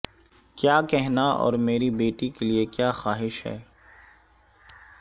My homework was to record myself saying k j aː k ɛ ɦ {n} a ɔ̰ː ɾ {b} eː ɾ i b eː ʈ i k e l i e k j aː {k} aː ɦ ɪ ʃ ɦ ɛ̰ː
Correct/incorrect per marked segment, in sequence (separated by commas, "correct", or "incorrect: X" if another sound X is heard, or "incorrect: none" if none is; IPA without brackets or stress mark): correct, incorrect: m, incorrect: x